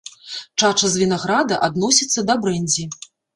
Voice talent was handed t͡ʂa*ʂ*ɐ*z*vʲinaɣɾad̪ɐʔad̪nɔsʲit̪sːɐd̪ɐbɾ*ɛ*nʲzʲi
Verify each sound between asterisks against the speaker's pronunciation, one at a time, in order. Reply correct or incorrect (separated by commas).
incorrect, correct, correct